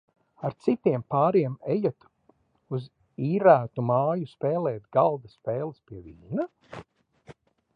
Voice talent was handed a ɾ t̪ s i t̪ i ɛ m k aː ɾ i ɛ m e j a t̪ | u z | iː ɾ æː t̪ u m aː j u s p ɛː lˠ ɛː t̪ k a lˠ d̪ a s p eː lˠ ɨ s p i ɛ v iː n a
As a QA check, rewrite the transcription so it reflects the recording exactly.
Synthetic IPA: a ɾ t̪ s i t̪ i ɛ m p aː ɾ i ɛ m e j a t̪ | u z | iː ɾ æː t̪ u m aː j u s p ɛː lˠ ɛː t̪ ɡ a lˠ d̪ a s p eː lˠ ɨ s p i ɛ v iː n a